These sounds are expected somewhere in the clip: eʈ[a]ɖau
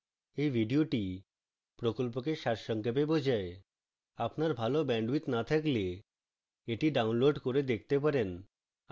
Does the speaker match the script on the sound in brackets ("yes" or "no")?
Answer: no